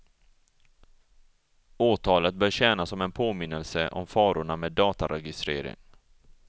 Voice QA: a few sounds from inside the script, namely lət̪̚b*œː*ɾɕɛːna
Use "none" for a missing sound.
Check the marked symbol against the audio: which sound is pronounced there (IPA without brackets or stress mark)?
œː